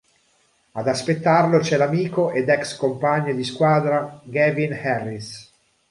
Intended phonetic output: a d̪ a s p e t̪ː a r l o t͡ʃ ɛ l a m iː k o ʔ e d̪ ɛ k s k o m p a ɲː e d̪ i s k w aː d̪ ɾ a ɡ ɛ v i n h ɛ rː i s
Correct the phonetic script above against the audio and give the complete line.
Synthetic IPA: a d̪ a s p e t̪ː a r l o t͡ʃ ɛ l a m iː k o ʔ e d̪ ɛ k s k o m p a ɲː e d̪ i s k w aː d̪ ɾ a ɡ ɛ v i n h ɛ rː i s